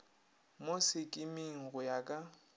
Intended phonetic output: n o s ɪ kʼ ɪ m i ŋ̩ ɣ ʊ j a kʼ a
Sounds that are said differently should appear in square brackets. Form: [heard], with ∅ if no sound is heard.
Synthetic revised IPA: [m] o s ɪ kʼ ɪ m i ŋ̩ ɣ ʊ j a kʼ a